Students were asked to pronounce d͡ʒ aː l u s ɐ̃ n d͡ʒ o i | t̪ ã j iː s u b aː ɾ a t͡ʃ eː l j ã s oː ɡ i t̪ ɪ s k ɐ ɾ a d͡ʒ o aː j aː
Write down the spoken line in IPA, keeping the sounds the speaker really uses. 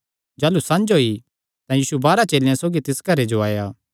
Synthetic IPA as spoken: d͡ʒ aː l u s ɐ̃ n d͡ʒ o i | t̪ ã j iː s u b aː ɾ a t͡ʃ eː l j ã s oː ɡ i t̪ ɪ s k ɐ ɾ e d͡ʒ o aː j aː